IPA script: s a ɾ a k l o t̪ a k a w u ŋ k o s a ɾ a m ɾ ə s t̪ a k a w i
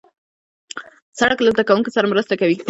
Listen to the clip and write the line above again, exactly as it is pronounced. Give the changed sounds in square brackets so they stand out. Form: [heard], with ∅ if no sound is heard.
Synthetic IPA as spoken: s a [ɽ] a k l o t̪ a k a w u ŋ k o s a ɾ a m ɾ ə s t̪ a k a w i